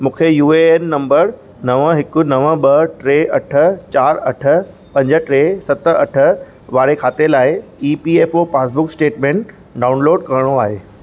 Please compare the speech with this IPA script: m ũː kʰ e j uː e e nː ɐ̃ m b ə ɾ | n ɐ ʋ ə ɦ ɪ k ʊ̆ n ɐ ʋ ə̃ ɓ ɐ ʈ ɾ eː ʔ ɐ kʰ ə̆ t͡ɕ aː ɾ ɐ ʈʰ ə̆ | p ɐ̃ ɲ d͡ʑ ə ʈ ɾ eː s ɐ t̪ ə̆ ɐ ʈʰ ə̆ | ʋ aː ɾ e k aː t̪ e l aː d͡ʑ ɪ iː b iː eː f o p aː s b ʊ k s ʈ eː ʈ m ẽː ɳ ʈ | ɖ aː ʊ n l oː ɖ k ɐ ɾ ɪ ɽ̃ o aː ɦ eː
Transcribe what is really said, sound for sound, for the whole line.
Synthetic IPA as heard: m ũː kʰ e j uː e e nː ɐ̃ m b ə ɾ | n ɐ ʋ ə ɦ ɪ k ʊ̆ n ɐ ʋ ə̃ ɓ ɐ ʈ ɾ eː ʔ ɐ ʈʰ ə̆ t͡ɕ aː ɾ ɐ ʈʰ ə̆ | p ɐ̃ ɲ d͡ʑ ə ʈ ɾ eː s ɐ t̪ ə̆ ɐ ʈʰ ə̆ | ʋ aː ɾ e kʰ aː t̪ e l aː ɪ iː p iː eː f o p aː s b ʊ k s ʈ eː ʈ m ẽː ɳ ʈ | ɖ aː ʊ n l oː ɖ k ɐ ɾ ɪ ɽ̃ o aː ɦ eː